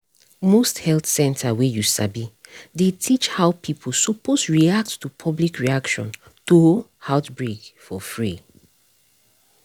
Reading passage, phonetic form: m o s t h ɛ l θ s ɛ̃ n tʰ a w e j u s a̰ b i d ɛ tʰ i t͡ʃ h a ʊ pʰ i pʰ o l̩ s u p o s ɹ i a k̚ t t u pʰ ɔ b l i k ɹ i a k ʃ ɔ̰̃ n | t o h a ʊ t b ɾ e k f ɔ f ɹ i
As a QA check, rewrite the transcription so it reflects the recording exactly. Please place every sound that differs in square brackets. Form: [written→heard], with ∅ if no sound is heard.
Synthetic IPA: m o s t h ɛ l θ s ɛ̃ n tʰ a w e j u s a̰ b i d [ɛ→e] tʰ i t͡ʃ h a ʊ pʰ i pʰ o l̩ s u p o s ɹ i a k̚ t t u pʰ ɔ b l i k ɹ i a k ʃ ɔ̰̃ n | t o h a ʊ t b [ɾ→ɹ] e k f ɔ f ɹ i